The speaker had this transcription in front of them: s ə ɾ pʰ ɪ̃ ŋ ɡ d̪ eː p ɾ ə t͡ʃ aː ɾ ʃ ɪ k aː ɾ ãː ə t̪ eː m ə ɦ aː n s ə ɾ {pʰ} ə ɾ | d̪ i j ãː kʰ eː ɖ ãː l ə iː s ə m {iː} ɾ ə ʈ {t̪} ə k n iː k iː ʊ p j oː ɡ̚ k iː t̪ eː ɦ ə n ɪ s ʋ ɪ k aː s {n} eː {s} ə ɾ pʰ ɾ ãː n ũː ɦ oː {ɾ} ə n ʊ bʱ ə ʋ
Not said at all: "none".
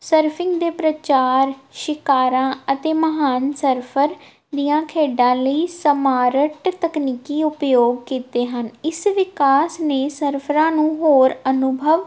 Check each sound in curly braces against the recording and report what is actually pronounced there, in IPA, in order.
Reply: pʰ, aː, t̪, n, s, ɾ

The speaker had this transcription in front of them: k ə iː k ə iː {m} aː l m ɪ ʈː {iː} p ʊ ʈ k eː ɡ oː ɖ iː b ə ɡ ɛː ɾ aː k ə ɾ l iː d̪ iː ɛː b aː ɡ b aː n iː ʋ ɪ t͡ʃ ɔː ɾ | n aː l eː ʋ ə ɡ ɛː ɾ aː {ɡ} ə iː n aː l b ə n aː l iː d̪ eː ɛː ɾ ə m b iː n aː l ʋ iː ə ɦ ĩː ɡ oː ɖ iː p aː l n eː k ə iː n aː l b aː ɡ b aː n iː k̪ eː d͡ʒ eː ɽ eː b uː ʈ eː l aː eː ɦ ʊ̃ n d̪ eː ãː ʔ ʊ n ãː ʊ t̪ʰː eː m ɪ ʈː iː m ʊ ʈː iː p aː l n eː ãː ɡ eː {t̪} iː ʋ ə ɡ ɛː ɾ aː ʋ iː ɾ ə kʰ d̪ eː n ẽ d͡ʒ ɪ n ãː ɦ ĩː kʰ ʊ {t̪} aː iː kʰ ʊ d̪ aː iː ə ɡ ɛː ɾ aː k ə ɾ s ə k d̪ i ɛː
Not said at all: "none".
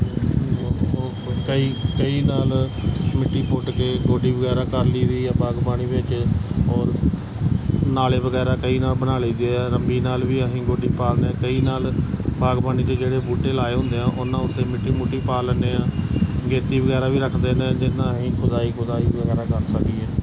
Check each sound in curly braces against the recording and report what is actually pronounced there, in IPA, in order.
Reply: n, iː, k, t̪, d̪

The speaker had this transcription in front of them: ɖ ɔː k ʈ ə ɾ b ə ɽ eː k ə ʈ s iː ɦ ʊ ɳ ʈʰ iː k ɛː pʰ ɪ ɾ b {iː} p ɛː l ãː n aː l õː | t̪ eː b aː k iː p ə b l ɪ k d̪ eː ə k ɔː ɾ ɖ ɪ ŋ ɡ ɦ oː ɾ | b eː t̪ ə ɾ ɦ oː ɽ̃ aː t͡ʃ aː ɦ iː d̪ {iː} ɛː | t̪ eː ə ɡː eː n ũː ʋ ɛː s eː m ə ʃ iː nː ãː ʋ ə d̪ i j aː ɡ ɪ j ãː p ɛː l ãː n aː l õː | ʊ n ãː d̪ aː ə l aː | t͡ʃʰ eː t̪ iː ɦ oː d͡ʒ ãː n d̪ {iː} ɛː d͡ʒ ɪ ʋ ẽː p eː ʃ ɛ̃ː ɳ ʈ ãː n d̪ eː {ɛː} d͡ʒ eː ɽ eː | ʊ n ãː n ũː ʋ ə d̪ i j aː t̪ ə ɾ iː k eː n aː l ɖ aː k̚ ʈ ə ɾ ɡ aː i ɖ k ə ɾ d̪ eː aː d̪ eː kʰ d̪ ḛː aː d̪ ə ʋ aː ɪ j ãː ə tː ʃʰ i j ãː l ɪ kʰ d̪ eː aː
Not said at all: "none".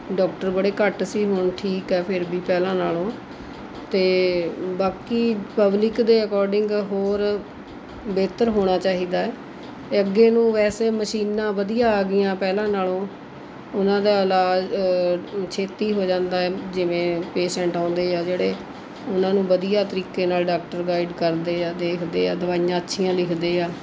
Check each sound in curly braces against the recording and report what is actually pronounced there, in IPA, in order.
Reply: iː, aː, aː, aː

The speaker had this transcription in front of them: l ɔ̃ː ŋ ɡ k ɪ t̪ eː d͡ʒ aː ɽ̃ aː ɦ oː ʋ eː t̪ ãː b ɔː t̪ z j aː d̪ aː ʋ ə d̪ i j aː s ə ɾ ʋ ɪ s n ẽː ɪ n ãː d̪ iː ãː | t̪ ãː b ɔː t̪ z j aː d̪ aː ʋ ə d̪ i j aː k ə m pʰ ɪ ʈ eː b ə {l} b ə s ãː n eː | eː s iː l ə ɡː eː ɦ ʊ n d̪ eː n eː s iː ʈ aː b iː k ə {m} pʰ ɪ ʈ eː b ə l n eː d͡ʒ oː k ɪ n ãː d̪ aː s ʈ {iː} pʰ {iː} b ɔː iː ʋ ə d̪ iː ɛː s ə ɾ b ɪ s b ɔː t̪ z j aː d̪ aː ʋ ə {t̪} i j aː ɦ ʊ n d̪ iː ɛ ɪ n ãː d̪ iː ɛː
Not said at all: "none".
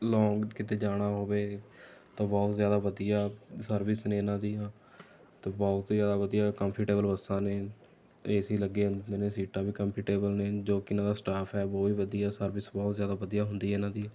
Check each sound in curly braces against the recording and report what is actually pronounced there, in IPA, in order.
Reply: l, m, aː, ɛː, d̪

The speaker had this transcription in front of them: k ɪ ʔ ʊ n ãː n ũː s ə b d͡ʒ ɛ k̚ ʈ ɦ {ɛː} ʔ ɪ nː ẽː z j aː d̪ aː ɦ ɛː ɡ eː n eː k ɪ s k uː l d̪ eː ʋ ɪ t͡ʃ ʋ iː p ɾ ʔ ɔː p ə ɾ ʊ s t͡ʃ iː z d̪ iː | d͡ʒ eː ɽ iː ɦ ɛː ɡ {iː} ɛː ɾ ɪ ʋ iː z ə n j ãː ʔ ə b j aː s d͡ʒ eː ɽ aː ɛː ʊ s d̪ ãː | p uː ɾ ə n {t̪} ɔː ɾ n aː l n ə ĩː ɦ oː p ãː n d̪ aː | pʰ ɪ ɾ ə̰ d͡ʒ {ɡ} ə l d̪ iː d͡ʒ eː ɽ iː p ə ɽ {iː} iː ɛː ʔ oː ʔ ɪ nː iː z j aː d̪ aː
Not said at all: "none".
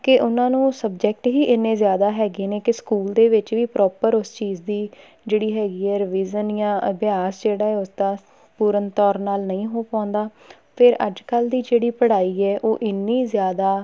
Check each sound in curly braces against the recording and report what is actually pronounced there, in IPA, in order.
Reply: iː, iː, t̪, k, aː

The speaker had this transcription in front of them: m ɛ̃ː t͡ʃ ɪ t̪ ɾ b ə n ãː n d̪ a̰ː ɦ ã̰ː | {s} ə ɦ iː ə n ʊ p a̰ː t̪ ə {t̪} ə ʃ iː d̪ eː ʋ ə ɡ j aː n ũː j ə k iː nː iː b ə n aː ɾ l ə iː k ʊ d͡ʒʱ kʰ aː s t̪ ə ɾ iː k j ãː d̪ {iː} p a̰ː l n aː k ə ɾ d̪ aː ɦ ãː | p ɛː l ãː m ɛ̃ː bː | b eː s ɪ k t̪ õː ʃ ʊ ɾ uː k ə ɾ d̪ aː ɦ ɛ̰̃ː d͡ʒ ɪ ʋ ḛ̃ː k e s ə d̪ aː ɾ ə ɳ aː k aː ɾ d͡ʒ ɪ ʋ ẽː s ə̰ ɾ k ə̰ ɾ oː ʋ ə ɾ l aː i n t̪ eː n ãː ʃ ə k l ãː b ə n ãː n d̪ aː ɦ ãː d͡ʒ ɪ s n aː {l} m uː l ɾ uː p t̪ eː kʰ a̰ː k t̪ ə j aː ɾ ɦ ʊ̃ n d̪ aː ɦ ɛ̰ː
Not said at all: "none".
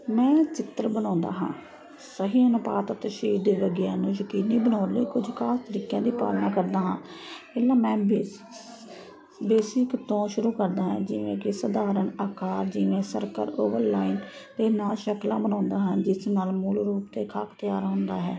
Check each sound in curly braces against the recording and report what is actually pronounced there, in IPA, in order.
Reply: s, t̪, iː, l

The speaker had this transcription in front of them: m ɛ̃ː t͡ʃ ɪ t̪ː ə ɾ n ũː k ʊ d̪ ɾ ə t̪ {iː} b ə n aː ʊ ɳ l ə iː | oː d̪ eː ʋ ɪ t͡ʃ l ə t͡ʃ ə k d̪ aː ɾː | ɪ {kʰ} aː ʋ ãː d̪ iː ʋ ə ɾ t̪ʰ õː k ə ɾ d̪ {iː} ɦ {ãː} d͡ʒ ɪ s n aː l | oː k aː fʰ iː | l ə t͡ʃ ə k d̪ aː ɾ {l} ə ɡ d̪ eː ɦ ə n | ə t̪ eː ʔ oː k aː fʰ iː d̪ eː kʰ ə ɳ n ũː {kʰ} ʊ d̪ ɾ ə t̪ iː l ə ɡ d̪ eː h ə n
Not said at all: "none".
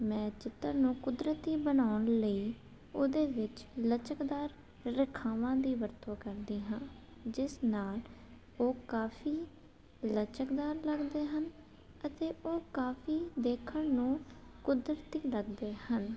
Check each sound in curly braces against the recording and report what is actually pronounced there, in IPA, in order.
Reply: iː, kʰ, iː, ãː, l, k

